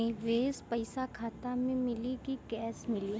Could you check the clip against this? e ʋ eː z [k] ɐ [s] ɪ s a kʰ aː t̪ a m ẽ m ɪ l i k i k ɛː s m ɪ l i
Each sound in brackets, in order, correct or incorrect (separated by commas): incorrect, incorrect